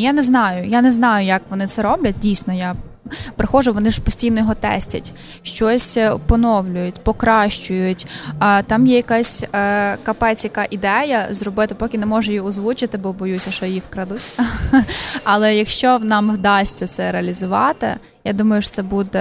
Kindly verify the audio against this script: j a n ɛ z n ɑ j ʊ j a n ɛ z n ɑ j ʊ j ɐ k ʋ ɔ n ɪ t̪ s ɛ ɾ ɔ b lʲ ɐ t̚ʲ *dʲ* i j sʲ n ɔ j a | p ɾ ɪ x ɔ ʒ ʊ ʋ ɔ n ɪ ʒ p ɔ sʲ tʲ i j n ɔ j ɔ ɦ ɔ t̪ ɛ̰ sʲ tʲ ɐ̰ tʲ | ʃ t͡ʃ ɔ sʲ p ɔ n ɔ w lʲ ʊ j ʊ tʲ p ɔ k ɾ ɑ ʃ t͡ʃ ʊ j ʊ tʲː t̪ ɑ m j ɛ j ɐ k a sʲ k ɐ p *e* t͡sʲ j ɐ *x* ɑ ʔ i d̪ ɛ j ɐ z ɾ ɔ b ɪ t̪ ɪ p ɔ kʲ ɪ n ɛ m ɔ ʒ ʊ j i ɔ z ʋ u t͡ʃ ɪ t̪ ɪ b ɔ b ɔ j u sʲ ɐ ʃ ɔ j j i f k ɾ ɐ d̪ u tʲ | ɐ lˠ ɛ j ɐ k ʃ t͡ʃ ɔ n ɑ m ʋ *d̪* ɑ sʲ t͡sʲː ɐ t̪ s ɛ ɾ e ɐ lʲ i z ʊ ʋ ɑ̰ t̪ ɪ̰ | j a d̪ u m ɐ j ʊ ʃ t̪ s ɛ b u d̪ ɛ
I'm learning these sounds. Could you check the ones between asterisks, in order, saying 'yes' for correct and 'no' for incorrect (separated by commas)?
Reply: yes, no, no, yes